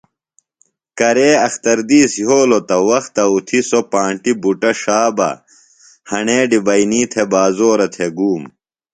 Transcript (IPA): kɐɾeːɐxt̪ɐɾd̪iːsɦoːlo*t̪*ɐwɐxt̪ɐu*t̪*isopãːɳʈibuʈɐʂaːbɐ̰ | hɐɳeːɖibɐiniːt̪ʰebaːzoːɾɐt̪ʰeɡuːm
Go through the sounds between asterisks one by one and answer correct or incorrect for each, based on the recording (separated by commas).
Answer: correct, incorrect